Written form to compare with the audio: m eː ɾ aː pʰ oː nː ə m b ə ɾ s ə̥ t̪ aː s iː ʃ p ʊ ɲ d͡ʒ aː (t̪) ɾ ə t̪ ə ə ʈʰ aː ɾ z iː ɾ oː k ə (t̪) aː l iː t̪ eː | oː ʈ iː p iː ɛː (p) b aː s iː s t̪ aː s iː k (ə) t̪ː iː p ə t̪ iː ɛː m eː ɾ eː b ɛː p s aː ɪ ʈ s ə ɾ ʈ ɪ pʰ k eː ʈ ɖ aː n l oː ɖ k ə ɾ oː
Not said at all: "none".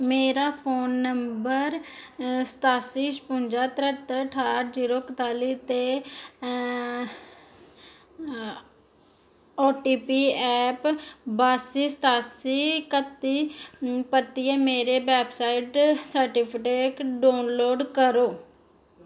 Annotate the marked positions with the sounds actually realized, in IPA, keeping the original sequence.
t̪, t̪, p, ə

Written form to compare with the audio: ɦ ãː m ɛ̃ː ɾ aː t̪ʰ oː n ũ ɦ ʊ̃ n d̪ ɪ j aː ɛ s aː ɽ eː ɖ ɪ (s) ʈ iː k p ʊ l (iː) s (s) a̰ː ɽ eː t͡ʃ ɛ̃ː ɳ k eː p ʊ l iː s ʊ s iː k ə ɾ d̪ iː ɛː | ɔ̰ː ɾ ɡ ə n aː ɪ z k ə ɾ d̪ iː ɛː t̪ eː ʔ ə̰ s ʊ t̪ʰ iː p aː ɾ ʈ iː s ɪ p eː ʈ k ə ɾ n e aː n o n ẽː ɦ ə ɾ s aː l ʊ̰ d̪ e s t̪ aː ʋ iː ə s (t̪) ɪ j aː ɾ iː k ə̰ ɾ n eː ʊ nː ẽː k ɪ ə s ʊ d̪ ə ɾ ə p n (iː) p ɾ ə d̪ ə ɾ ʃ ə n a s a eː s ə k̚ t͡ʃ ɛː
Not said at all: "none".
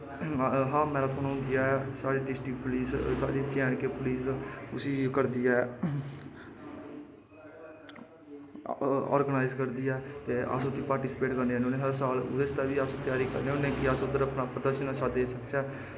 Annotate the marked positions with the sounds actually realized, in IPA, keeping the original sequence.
s, iː, s, t̪, aː

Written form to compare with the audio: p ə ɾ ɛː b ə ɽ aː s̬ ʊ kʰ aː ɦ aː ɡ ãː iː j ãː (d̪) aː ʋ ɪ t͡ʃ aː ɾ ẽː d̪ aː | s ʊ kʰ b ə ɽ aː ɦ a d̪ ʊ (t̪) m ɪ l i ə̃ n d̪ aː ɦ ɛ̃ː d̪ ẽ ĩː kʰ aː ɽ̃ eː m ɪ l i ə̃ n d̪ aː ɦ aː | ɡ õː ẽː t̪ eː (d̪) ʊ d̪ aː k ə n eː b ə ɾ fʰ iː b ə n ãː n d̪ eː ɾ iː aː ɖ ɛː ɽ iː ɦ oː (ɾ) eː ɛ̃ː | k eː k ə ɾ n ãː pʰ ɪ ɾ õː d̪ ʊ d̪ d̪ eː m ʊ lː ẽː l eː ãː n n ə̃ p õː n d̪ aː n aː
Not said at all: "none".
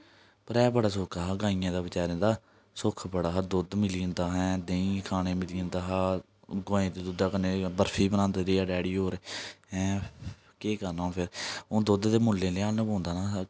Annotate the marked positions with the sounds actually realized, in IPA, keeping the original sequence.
d̪, d̪, d̪, ɾ

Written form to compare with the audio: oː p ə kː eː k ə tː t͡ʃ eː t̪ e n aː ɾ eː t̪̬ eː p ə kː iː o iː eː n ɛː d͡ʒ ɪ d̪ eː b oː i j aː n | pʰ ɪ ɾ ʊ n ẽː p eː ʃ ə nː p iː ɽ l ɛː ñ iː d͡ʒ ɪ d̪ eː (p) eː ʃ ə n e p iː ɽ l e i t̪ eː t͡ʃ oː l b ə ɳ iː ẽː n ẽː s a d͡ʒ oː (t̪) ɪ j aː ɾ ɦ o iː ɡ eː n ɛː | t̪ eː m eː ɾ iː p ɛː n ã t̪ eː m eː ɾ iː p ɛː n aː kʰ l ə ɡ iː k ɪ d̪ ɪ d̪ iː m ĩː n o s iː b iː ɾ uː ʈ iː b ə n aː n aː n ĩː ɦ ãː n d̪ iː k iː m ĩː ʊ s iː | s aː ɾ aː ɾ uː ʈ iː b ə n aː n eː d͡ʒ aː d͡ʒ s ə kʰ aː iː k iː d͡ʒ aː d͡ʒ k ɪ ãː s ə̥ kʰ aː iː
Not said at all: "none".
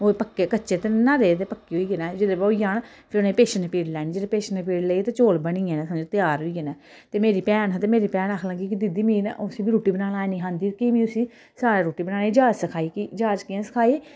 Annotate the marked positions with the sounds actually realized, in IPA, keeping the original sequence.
p, t̪

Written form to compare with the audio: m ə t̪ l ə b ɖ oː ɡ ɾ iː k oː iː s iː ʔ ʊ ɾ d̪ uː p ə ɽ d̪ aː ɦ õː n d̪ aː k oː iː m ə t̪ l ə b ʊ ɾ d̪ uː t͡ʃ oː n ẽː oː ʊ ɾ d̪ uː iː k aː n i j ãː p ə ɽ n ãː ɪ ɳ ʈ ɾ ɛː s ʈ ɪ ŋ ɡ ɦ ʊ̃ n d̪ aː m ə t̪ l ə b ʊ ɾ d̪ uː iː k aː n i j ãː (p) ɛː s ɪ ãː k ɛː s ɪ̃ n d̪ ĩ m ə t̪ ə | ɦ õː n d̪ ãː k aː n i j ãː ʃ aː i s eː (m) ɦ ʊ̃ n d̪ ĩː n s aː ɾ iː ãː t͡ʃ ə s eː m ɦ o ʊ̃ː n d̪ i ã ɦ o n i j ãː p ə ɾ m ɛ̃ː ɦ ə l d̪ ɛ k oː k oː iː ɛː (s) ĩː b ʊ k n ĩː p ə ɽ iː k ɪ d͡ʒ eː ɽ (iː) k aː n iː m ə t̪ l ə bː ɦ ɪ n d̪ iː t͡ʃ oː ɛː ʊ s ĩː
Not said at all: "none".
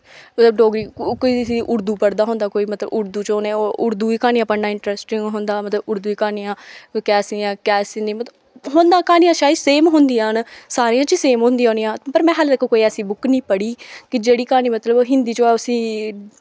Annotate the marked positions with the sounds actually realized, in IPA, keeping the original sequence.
k, m, s, iː

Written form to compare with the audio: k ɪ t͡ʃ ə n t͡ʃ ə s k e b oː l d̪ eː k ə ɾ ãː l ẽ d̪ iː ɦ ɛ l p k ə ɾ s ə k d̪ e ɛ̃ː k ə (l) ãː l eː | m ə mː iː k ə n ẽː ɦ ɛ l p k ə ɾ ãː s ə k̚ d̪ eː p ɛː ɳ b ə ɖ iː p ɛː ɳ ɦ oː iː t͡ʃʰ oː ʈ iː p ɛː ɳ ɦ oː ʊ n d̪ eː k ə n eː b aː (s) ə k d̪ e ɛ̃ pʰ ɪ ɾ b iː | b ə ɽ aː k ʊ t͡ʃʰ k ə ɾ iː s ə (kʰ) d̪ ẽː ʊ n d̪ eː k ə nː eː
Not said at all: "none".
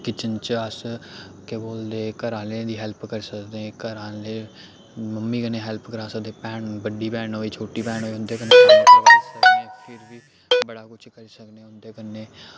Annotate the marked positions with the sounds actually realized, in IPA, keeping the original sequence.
ɾ, s, k

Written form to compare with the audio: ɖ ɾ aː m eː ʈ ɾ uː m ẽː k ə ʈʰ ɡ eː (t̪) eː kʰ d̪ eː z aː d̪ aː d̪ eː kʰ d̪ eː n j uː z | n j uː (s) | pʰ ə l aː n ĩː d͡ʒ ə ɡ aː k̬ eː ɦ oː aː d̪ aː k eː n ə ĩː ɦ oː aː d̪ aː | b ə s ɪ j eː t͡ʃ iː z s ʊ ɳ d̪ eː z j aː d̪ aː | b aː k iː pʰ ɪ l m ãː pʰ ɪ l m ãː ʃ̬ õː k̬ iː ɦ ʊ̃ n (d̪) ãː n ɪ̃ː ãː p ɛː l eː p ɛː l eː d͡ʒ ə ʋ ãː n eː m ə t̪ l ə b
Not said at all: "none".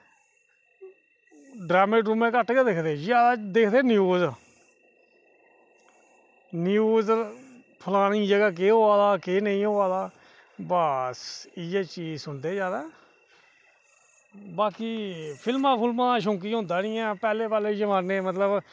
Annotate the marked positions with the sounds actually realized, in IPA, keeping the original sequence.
d̪, z, d̪

